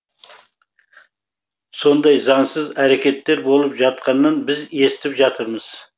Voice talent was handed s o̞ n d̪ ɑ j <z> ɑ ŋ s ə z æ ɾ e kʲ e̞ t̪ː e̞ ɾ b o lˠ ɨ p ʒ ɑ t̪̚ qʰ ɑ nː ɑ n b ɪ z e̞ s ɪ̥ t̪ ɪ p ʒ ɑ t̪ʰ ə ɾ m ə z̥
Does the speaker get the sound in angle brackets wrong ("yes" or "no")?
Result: no